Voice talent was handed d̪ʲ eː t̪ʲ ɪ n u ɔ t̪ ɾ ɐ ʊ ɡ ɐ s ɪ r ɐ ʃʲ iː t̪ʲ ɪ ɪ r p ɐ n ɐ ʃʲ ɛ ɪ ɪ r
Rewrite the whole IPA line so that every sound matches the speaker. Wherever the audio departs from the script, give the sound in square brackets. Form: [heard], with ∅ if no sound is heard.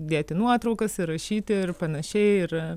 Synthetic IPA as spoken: d̪ʲ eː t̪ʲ ɪ n u ɔ t̪ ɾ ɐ ʊ [k] ɐ s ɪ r ɐ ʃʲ iː t̪ʲ ɪ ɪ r p ɐ n ɐ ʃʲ ɛ ɪ ɪ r